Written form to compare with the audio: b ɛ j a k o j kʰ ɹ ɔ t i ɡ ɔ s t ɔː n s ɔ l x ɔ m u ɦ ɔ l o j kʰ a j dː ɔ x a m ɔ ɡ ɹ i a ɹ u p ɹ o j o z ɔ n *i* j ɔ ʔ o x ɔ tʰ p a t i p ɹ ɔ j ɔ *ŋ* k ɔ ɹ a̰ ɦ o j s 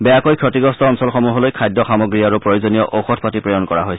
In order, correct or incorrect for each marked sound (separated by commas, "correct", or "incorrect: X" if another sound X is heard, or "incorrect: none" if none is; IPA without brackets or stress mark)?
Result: correct, incorrect: n